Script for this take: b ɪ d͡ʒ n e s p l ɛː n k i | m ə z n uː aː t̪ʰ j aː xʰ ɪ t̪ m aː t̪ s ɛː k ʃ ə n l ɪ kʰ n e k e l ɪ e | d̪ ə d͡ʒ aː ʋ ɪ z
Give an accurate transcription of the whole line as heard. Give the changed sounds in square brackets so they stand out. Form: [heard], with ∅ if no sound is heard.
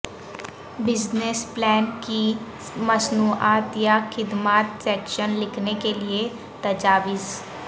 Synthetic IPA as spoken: b ɪ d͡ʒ n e s p l ɛː n k i | m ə [s] n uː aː [t̪] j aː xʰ ɪ [d̪] m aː t̪ s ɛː k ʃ ə n l ɪ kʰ n e k e l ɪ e | [t̪] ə d͡ʒ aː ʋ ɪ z

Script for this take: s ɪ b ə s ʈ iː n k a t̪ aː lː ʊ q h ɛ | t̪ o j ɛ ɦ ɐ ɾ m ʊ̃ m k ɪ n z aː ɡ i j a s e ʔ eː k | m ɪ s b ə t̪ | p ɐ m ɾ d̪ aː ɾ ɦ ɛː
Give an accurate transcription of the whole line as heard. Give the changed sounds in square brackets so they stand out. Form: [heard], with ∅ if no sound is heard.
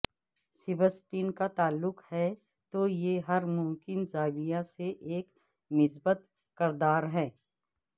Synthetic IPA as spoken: s ɪ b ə s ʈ iː n k a t̪ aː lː ʊ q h ɛ | t̪ o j [e] ɦ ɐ ɾ m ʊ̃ m k ɪ n z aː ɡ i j a s e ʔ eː k | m ɪ s b ə t̪ | [k] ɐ [∅] ɾ d̪ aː ɾ ɦ ɛː

